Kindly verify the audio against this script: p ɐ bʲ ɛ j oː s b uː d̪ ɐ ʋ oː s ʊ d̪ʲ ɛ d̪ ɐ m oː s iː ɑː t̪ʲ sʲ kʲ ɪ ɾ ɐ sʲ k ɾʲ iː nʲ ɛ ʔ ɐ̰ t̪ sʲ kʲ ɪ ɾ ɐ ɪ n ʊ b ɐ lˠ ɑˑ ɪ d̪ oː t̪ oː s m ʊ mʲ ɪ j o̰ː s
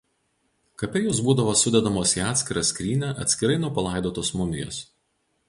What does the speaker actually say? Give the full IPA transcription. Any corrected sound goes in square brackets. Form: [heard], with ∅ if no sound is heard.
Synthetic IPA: [k] ɐ [pʲ] ɛ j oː s b uː d̪ ɐ ʋ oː s ʊ d̪ʲ ɛ d̪ ɐ m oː s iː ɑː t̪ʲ sʲ kʲ ɪ ɾ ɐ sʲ k ɾʲ iː nʲ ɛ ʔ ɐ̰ t̪ sʲ kʲ ɪ ɾ ɐ ɪ n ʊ [p] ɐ lˠ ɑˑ ɪ d̪ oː t̪ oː s m ʊ mʲ ɪ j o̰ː s